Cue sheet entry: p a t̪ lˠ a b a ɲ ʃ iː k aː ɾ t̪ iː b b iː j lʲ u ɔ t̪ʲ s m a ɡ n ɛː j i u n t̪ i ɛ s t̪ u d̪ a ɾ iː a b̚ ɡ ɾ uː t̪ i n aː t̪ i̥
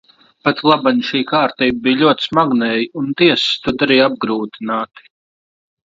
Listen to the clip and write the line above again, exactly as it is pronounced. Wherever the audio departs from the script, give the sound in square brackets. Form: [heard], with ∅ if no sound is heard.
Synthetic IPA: p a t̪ lˠ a b a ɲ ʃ iː k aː ɾ t̪ iː b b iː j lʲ u ɔ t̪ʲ s m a ɡ n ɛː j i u n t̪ i ɛ s t̪ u d̪ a ɾ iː a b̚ ɡ ɾ uː t̪ i n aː t̪ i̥